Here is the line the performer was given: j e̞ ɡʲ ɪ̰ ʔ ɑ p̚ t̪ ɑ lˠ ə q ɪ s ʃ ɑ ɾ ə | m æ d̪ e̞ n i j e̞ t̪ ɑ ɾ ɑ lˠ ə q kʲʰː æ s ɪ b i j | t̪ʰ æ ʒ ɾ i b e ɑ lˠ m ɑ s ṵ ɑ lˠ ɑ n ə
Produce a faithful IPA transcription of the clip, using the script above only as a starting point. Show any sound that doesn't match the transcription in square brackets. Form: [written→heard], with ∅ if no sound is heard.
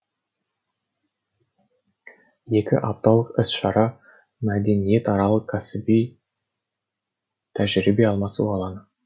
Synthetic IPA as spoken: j e̞ [ɡʲ→kʲ] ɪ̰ ʔ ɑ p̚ t̪ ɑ lˠ ə q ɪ s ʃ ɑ ɾ [ə→ɑ] | m æ d̪ e̞ n i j e̞ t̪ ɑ ɾ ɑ lˠ ə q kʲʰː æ s ɪ b i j | t̪ʰ æ ʒ ɾ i b e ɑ lˠ m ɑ s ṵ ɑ lˠ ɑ n ə